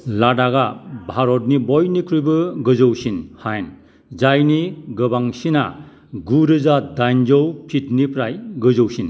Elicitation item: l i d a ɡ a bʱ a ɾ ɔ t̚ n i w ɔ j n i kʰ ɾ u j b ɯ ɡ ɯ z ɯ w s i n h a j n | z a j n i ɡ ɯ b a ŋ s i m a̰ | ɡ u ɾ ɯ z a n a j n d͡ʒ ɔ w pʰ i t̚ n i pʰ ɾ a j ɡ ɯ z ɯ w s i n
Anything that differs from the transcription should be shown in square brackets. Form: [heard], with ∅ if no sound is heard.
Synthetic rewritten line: l [a] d a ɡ a bʱ a ɾ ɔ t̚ n i [b] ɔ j n i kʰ ɾ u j b ɯ ɡ ɯ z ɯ w s i n h a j n | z a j n i ɡ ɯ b a ŋ s i [n] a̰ | ɡ u ɾ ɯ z a [d] a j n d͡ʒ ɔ w pʰ i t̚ n i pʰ ɾ a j ɡ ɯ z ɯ w s i n